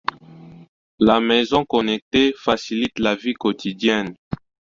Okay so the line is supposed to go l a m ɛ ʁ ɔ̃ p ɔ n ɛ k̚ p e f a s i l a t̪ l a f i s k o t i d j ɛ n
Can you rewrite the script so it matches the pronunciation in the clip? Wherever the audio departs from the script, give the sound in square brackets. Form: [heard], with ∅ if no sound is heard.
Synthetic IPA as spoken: l a m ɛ [z] ɔ̃ [k] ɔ n ɛ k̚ [t] e f a s i l [i] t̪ l a [v] i [∅] k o t i d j ɛ n